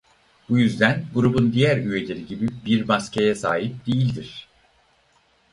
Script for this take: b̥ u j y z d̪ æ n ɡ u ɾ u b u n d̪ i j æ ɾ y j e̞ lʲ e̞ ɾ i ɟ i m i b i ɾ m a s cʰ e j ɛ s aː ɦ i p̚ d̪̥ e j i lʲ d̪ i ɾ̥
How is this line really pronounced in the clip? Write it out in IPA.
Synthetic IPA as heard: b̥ u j y z d̪ æ n ɡ u ɾ u b u n d̪ i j æ ɾ y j e̞ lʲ e̞ ɾ i ɟ i b i b i ɾ m a s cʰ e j ɛ s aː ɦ i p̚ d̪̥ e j i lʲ d̪ i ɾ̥